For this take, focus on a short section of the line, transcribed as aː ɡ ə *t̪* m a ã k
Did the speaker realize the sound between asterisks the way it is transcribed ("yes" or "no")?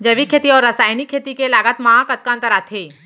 yes